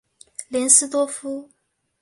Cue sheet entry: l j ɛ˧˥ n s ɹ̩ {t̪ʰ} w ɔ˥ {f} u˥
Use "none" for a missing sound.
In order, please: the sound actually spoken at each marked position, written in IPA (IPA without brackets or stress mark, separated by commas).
t̪, f